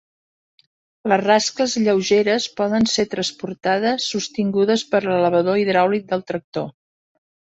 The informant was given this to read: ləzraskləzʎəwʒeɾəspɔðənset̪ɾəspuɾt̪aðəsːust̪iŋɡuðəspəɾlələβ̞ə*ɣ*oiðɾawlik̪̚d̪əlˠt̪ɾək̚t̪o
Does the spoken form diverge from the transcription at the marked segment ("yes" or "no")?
yes